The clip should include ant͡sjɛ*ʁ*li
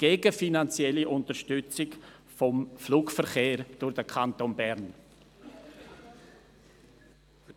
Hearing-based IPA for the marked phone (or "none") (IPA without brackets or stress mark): none